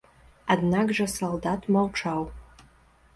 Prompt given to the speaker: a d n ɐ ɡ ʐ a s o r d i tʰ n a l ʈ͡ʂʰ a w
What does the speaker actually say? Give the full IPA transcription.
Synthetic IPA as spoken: a d n a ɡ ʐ a s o l d a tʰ m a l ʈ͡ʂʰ a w